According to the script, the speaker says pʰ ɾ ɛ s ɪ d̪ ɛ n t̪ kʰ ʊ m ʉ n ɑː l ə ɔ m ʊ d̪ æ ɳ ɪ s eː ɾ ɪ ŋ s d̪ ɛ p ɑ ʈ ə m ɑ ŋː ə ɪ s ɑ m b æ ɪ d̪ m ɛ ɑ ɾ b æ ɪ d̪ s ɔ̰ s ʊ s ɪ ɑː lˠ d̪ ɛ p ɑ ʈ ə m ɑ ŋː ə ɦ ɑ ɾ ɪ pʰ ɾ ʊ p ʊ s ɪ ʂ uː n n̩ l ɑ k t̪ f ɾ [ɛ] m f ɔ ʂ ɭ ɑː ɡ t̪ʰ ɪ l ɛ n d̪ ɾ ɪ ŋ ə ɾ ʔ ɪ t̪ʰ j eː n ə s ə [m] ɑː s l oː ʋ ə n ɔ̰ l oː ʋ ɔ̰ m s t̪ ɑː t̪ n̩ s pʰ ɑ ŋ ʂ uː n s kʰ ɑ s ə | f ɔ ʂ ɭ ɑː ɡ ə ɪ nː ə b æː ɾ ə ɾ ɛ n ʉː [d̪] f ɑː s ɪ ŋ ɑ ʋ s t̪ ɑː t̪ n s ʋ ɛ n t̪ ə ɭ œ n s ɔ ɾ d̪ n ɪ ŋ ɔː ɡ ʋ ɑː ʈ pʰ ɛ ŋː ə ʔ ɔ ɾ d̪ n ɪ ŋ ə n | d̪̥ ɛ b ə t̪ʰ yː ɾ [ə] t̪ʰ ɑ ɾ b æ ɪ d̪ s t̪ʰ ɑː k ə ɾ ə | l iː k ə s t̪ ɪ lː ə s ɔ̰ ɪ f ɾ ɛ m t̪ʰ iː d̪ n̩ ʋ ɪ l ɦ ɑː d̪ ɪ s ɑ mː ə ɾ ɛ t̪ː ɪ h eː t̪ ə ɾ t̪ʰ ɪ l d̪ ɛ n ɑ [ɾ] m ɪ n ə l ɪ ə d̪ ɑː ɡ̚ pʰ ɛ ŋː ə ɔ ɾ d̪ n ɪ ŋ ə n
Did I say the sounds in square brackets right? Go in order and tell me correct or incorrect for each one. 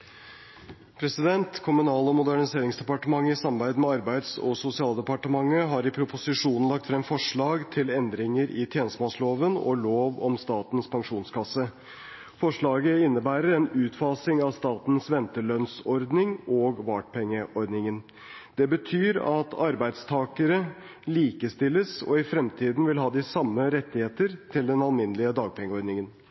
correct, correct, incorrect: t̪, incorrect: ɑ, incorrect: l

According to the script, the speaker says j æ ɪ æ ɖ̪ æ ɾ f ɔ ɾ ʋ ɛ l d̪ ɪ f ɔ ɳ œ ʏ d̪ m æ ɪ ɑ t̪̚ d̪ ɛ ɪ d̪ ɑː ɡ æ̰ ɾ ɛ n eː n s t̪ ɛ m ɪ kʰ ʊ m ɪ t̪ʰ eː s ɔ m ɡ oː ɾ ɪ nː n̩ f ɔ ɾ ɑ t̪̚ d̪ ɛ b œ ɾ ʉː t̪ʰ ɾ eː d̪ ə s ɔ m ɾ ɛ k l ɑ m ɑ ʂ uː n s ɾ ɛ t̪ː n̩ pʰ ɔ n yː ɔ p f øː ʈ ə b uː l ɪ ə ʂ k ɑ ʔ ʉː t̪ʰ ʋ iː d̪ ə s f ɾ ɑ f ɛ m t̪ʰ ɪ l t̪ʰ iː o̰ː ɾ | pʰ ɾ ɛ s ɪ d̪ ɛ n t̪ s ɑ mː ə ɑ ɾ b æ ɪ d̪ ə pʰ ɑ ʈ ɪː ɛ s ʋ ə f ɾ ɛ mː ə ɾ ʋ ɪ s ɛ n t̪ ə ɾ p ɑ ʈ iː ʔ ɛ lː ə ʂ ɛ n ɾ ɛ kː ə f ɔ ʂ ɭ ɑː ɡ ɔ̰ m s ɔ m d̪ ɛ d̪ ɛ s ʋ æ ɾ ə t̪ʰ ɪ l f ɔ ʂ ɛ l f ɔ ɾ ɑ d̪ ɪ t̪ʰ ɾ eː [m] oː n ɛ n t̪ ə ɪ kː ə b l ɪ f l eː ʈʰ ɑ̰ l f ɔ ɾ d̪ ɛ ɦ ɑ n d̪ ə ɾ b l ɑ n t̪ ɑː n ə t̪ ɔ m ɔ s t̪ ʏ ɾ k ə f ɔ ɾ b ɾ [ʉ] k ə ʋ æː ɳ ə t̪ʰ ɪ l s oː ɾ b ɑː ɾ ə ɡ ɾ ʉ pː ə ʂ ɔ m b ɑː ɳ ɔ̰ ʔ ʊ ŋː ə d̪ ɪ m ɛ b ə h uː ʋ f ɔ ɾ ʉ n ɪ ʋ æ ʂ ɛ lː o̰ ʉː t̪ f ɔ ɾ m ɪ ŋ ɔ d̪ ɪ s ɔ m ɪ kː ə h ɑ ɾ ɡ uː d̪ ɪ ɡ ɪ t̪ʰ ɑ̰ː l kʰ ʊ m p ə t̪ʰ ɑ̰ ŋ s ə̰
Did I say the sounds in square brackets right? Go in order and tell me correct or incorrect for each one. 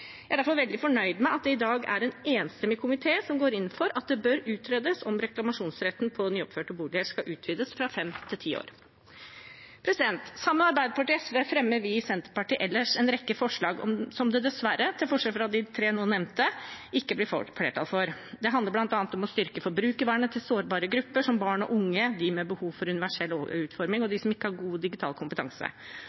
incorrect: n, incorrect: ʉː

